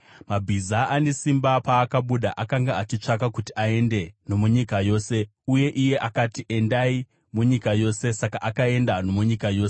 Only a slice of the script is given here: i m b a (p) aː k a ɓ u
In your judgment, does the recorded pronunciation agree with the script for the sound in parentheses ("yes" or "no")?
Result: yes